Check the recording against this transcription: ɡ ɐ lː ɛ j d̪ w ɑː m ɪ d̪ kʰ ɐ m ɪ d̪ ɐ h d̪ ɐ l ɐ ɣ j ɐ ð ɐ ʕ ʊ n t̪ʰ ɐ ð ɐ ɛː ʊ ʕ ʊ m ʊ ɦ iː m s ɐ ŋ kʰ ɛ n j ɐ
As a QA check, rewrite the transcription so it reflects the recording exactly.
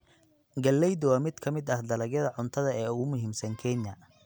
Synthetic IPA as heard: ɡ ɐ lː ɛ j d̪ w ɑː m ɪ d̪ kʰ ɐ m ɪ d̪ ɐ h d̪ ɐ l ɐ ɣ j ɐ ð ɐ ʕ ʊ n t̪ʰ ɐ ð ɐ ɛː ʊ ɣ ʊ m ʊ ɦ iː m s ɐ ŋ kʰ ɛ n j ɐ